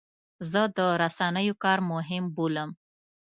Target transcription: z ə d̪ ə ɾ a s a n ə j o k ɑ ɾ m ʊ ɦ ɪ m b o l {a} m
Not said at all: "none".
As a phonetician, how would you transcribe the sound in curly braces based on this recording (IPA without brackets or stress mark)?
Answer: ə